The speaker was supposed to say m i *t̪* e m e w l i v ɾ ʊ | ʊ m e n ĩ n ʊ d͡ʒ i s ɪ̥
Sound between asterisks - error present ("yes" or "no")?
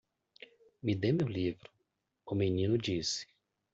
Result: yes